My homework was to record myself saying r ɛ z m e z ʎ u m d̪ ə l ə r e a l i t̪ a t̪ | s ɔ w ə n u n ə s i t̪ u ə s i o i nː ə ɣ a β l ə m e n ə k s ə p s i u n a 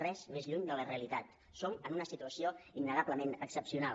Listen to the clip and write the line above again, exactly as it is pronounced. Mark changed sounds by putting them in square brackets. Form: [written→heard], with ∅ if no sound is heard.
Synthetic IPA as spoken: r ɛ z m e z ʎ u [m→ɲ] d̪ ə l ə r e [a→ə] l i t̪ a t̪ | s [ɔ→o] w ə n u n ə s i t̪ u ə s i o i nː ə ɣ a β l ə m e n ə k s ə p s i u n a